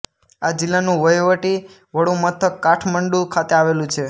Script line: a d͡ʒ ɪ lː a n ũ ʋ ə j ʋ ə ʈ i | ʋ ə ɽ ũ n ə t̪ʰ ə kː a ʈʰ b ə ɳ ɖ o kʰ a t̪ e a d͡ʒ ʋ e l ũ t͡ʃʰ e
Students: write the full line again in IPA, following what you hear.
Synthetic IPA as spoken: a d͡ʒ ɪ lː a n ũ ʋ ə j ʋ ə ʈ i | ʋ ə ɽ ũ m ə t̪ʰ ə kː a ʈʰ m ə ɳ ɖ u kʰ a t̪ e a ʋ e l ũ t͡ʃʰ e